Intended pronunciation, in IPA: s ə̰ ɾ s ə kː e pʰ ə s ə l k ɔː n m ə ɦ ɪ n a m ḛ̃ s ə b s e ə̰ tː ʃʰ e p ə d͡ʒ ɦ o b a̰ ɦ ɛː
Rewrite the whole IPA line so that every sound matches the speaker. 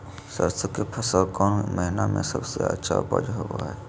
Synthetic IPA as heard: s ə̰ ɾ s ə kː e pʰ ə s ə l k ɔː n m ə ɦ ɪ n a m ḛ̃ s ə b s e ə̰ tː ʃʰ a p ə d͡ʒ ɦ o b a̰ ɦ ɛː